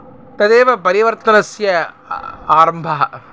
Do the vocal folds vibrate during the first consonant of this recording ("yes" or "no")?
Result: no